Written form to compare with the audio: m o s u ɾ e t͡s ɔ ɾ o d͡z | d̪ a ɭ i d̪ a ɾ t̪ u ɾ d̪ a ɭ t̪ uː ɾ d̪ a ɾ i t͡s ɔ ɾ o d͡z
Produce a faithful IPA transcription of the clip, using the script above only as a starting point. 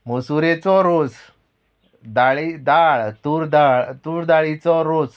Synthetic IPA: m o s u ɾ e t͡s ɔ ɾ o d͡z | d̪ a ɭ i d̪ a ɭ t̪ u ɾ d̪ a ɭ t̪ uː ɾ d̪ a ɭ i t͡s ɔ ɾ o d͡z